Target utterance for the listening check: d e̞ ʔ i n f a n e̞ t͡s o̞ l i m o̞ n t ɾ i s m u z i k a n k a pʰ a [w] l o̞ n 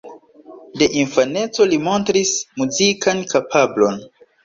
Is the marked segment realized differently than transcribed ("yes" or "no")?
yes